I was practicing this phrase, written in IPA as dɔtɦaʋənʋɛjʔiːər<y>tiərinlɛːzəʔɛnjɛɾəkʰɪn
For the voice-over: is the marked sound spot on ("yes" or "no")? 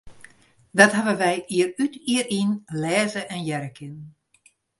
yes